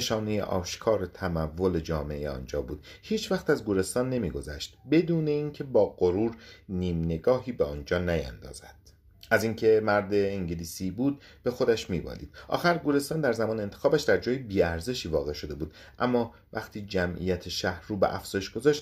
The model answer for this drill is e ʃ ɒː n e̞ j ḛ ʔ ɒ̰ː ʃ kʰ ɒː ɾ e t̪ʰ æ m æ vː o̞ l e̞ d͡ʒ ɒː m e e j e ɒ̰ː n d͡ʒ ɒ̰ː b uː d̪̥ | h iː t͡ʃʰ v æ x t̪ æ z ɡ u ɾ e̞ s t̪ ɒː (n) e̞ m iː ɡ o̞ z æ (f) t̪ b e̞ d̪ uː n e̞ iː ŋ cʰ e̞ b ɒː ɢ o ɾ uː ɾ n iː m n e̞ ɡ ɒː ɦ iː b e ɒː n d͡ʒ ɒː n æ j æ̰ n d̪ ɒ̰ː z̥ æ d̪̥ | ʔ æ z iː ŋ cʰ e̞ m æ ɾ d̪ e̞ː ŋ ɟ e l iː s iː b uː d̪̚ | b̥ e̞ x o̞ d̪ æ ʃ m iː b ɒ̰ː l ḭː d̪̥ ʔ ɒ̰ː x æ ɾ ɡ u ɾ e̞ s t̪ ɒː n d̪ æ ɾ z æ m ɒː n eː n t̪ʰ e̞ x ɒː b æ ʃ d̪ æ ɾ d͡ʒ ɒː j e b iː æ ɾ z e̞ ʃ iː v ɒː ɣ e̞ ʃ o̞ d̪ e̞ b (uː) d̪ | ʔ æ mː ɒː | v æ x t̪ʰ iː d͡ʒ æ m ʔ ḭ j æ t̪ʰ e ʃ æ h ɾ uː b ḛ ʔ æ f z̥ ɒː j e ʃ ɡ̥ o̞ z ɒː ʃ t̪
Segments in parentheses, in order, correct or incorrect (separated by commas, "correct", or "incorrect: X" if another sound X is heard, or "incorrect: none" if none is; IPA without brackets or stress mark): incorrect: nː, incorrect: ʃ, correct